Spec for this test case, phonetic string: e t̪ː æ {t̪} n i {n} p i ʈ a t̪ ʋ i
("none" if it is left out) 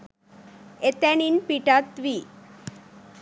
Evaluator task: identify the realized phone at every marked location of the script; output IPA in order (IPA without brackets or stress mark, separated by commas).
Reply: none, n